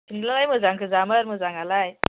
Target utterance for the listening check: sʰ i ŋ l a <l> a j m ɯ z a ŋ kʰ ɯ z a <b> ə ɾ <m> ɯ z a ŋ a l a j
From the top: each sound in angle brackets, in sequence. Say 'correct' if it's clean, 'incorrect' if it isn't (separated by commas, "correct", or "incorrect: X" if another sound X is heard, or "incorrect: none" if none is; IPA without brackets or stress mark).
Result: correct, incorrect: m, correct